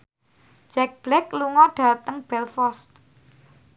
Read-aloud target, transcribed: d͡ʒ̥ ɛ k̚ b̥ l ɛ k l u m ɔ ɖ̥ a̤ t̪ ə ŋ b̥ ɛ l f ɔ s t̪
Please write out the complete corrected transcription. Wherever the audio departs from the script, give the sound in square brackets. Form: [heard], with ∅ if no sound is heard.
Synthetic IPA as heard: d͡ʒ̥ ɛ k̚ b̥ l ɛ k l u [ŋ] ɔ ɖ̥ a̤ t̪ ə ŋ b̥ ɛ l f ɔ s t̪